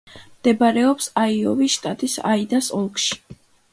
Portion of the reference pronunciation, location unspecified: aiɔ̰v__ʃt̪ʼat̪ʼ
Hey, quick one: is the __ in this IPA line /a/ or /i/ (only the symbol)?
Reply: i